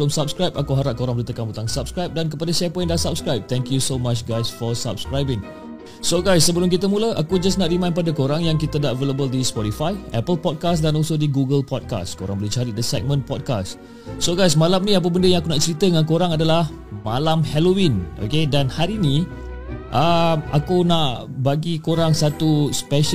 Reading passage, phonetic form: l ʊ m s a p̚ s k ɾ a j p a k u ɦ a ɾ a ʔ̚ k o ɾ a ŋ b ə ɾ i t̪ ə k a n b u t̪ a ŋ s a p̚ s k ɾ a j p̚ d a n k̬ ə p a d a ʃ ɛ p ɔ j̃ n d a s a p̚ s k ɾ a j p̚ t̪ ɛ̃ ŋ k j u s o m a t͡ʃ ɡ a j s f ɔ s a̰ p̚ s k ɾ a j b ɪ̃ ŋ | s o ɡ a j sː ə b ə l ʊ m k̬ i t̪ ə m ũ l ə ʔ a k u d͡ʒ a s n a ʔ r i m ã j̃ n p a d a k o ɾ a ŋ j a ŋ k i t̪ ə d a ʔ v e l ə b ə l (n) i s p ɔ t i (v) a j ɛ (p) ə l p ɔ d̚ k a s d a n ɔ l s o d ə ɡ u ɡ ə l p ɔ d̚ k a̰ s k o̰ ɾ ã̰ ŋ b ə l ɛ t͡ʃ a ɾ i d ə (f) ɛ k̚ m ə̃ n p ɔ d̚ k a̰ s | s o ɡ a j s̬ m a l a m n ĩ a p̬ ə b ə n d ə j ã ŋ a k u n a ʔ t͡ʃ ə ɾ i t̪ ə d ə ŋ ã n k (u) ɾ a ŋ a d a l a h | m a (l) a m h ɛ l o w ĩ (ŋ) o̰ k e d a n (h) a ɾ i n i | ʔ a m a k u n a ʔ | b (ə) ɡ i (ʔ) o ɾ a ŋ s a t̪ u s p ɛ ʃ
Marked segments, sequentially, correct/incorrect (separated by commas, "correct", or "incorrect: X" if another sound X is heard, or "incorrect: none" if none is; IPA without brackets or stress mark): incorrect: d, incorrect: f, correct, incorrect: s, incorrect: o, correct, incorrect: n, correct, incorrect: a, incorrect: k